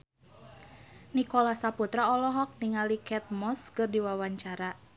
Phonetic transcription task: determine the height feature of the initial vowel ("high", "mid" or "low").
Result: high